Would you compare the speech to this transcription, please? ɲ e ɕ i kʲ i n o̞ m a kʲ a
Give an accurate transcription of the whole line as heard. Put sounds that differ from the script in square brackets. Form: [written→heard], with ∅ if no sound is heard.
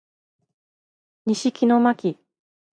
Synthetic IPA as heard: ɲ [e→i] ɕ i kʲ i n o̞ m a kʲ [a→i]